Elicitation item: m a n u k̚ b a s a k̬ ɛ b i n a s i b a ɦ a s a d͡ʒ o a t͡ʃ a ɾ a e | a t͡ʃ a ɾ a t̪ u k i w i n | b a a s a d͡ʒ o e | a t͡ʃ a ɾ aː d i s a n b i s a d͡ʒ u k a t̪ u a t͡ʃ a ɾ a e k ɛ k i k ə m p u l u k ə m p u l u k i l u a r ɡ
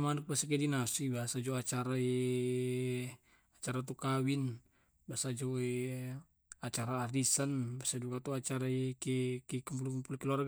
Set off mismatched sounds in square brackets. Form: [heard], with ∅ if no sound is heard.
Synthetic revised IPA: m a n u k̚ b a s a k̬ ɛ [d] i n a s i b a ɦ a s a d͡ʒ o a t͡ʃ a ɾ a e | a t͡ʃ a ɾ a t̪ u k [a] w i n | b a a s a d͡ʒ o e | a t͡ʃ a ɾ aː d i s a n b [a] s a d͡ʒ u k a t̪ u a t͡ʃ a ɾ a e k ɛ k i k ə m p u l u k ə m p u l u k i l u a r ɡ